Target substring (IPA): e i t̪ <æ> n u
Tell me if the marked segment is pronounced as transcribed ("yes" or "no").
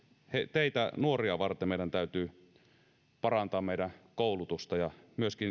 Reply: yes